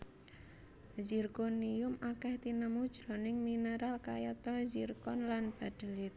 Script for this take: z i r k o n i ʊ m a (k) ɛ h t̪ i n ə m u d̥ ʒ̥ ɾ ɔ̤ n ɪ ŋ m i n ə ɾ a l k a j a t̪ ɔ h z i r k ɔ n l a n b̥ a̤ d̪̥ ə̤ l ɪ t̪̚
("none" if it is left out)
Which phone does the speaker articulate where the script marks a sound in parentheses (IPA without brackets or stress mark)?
k